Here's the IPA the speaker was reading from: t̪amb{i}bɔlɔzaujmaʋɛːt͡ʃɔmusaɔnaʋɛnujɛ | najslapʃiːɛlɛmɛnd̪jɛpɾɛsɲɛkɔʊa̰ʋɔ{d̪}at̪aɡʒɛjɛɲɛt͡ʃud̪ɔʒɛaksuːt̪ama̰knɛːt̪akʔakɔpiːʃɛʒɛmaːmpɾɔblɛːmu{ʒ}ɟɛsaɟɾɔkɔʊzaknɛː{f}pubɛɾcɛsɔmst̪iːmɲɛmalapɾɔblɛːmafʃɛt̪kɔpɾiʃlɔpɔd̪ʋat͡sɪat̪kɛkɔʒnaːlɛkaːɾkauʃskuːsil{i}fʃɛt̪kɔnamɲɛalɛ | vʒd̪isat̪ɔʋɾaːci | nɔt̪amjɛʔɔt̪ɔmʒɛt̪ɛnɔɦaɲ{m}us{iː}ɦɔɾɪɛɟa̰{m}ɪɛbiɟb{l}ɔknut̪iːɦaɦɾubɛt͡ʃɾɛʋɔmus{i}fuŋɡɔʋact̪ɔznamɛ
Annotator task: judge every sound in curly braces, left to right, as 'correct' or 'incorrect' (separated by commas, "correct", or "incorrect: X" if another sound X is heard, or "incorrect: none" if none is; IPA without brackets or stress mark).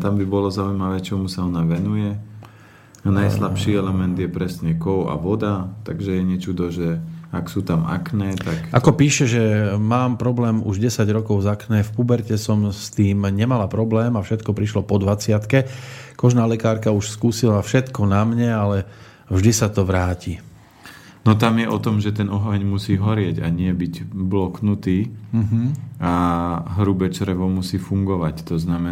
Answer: correct, correct, correct, correct, incorrect: a, correct, correct, incorrect: ɲ, correct, incorrect: iː